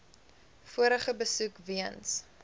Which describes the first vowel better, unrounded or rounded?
rounded